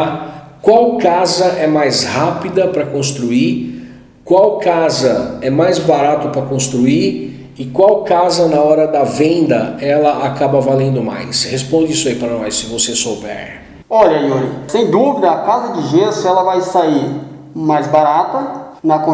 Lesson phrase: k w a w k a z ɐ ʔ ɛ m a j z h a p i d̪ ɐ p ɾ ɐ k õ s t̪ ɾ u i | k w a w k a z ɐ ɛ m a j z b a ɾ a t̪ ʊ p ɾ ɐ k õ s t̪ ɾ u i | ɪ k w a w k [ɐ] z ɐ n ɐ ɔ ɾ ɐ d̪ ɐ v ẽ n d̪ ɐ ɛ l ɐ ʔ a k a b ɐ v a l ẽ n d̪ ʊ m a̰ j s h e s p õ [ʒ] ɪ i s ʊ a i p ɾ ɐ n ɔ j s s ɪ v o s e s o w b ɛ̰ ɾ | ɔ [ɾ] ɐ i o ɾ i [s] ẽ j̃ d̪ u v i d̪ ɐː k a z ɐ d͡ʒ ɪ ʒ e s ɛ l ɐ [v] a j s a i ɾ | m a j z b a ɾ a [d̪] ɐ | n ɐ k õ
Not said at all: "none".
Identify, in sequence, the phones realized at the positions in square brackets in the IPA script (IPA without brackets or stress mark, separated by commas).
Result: a, d͡ʒ, ʎ, s, v, t̪